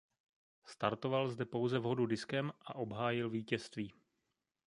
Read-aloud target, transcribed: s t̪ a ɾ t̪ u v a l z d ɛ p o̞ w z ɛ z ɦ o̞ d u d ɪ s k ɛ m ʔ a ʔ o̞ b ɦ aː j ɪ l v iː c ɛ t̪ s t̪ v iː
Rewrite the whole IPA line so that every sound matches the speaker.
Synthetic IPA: s t̪ a ɾ t̪ o v a l z d ɛ p o̞ w z ɛ v ɦ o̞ d u d ɪ s k ɛ m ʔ a ʔ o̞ b ɦ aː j ɪ l v iː c ɛ s t̪ v iː